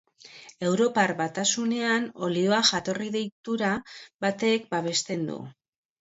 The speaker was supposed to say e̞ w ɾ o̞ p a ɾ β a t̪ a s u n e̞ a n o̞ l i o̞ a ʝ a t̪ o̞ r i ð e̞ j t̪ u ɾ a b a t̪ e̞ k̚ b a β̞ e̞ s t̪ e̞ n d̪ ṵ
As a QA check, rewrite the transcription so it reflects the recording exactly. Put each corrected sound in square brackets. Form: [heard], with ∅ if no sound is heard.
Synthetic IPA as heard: e̞ w ɾ o̞ p a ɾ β a t̪ a s u n e̞ a n o̞ l i o̞ a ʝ a t̪ o̞ r i ð e̞ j t̪ u ɾ a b a t̪ e̞ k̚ b a β̞ e̞ s t̪ e̞ n d̪ ṵ